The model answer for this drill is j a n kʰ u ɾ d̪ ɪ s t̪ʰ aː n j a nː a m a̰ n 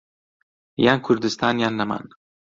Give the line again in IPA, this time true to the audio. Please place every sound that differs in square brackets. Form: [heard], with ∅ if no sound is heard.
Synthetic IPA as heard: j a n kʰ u ɾ d̪ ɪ s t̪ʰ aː n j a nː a m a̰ n